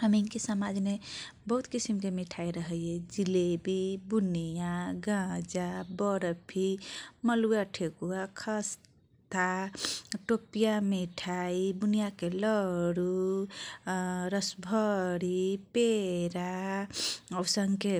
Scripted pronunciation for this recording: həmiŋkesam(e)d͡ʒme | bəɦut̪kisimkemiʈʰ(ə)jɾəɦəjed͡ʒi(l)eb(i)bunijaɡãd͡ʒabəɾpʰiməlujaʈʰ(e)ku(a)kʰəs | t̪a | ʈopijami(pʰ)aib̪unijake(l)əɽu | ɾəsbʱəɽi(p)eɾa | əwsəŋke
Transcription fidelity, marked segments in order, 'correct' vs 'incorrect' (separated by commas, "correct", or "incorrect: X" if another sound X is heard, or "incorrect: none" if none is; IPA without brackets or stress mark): incorrect: a, incorrect: a, correct, correct, correct, correct, incorrect: ʈʰ, correct, correct